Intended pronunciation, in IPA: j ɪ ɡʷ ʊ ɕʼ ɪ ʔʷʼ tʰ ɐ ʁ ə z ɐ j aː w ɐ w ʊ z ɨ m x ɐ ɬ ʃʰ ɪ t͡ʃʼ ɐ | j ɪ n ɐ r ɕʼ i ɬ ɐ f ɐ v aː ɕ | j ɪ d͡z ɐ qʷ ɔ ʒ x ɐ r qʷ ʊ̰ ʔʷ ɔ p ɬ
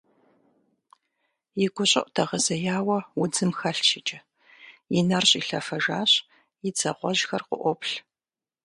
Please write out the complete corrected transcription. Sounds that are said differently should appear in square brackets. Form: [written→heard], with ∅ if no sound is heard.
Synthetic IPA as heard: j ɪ ɡʷ ʊ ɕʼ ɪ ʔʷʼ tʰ ɐ ʁ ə z ɐ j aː w ɐ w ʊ [z→d͡z] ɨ m x ɐ ɬ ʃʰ ɪ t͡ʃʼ ɐ | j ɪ n ɐ r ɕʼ i ɬ ɐ f ɐ [v→ʒ] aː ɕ | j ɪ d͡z ɐ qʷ ɔ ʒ x ɐ r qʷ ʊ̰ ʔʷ ɔ p ɬ

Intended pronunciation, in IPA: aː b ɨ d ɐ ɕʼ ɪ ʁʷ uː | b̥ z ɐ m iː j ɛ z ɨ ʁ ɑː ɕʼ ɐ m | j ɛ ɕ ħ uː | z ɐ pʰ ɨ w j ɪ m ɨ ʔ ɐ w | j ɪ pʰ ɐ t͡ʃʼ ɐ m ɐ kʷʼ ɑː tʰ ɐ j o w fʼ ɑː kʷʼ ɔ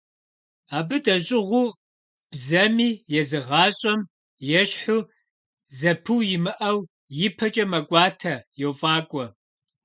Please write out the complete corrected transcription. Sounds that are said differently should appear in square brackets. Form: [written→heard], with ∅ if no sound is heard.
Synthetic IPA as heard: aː b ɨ d ɐ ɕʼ ɪ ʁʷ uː | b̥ z ɐ m iː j ɛ z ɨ ʁ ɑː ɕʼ ɐ m | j ɛ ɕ ħ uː | z ɐ pʰ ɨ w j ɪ m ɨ ʔ ɐ w | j ɪ pʰ ɐ t͡ʃʼ ɐ m ɐ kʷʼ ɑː tʰ ɐ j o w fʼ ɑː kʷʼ ɔ

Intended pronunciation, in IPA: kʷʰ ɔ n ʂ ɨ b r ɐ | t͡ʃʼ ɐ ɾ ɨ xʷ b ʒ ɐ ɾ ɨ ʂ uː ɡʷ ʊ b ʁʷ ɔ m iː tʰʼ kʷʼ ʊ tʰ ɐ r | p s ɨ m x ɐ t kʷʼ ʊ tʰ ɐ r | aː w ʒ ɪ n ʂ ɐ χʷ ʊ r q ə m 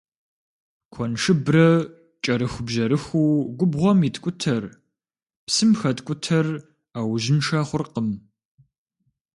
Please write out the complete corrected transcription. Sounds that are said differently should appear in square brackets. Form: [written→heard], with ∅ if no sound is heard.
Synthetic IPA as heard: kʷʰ ɔ n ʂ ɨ b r ɐ | t͡ʃʼ ɐ ɾ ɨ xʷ b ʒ ɐ ɾ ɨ [ʂ→x] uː ɡʷ ʊ b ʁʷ ɔ m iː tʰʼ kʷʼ ʊ tʰ ɐ r | p s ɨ m x ɐ t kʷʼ ʊ tʰ ɐ r | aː w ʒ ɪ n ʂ ɐ χʷ ʊ r q ə m

